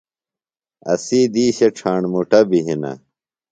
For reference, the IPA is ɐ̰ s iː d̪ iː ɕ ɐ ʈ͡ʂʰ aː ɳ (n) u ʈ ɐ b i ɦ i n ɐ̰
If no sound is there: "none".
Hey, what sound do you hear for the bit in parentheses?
m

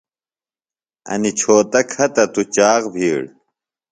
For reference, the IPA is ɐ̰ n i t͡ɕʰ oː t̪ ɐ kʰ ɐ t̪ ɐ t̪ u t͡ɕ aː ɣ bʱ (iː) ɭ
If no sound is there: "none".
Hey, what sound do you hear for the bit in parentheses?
iː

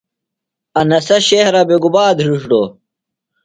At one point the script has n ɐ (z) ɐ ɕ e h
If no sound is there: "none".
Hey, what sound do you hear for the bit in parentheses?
s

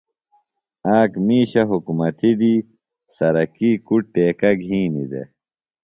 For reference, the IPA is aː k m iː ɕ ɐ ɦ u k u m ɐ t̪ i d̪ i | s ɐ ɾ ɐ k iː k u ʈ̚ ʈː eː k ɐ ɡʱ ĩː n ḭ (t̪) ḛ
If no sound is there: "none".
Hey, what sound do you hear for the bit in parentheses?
d̪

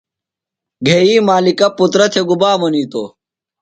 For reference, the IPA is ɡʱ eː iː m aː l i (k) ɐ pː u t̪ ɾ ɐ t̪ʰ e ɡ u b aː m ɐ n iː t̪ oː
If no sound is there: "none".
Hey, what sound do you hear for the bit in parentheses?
k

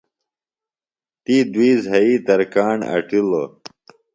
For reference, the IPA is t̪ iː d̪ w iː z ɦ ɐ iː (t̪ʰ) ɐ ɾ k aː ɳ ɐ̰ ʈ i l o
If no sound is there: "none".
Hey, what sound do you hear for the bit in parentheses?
t̪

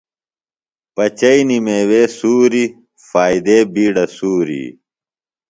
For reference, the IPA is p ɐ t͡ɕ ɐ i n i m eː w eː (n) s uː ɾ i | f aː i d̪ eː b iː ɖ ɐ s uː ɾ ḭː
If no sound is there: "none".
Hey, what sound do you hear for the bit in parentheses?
none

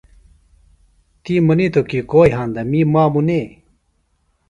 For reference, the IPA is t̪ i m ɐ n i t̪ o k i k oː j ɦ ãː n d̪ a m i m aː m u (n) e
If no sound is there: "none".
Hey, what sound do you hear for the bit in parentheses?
n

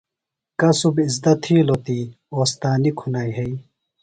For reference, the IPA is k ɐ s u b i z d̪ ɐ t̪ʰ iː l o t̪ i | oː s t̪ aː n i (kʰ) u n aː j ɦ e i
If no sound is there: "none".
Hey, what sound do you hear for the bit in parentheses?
kʰ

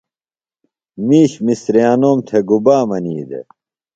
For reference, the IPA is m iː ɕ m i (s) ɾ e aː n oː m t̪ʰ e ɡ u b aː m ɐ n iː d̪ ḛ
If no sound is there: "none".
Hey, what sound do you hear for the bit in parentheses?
s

